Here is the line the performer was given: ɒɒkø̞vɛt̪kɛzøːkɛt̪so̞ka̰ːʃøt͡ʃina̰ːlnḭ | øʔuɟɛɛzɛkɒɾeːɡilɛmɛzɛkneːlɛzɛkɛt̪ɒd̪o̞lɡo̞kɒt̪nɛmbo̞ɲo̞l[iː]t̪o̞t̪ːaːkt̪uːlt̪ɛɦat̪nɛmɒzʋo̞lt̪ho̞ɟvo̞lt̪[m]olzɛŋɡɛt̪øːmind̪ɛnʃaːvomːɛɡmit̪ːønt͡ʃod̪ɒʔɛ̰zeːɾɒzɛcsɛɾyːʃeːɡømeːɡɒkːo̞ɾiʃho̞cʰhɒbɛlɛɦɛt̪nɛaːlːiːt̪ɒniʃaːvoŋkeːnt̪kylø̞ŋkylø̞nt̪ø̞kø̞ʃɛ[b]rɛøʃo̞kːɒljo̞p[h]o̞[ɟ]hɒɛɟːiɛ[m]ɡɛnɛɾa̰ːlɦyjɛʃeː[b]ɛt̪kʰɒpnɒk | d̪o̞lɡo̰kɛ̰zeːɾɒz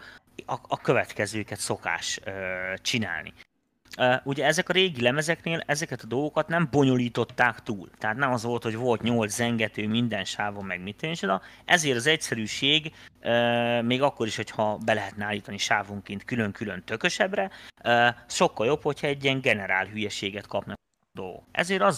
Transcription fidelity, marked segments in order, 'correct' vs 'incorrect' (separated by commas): correct, incorrect, correct, correct, incorrect, incorrect, incorrect